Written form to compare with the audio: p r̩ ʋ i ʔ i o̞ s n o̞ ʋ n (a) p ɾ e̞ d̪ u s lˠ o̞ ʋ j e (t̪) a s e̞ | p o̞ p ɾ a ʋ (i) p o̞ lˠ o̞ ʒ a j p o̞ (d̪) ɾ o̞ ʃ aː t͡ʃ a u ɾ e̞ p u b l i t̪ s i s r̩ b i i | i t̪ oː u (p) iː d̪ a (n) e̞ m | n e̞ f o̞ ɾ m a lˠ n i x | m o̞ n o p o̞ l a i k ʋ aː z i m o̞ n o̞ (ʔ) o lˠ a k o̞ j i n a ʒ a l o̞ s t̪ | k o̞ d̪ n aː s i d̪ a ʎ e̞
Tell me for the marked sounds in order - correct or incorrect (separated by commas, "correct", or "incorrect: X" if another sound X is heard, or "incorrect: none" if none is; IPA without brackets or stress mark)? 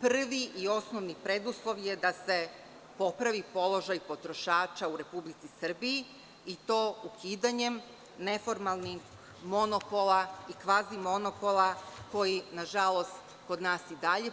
incorrect: i, incorrect: d̪, correct, incorrect: t̪, incorrect: k, incorrect: ɲ, incorrect: p